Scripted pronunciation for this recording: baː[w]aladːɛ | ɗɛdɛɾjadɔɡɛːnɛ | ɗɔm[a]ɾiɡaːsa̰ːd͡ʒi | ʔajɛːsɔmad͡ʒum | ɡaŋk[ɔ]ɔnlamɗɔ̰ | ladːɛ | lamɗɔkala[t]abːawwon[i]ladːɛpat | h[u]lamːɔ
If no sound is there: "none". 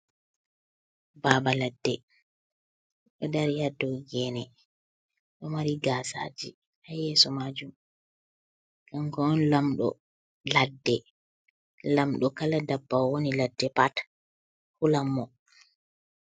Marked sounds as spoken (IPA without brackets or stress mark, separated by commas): b, a, ɔ, d, i, u